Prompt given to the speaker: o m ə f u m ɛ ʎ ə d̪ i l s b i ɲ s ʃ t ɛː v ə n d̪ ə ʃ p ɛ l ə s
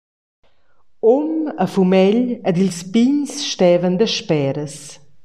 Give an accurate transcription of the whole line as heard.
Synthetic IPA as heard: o m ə f u m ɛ ʎ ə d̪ i l s p i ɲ s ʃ t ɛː v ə n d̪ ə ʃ p ɛ ɾ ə s